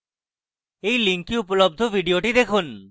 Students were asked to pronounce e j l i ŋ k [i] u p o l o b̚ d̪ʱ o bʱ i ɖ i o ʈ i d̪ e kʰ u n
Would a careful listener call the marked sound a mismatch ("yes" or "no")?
no